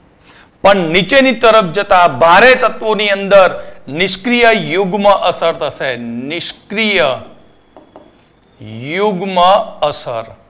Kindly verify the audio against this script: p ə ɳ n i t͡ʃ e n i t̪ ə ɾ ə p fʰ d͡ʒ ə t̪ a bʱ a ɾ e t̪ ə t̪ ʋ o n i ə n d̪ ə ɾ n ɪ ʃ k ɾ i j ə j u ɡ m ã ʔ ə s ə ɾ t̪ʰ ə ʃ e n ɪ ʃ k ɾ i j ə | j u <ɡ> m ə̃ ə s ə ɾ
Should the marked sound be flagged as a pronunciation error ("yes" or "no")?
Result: no